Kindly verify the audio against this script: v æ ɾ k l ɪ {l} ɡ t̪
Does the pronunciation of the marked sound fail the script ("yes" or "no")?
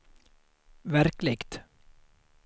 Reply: yes